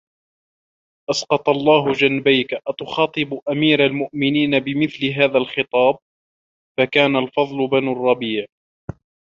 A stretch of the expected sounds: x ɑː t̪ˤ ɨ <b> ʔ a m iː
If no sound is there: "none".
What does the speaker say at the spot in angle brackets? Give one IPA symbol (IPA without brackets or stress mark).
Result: b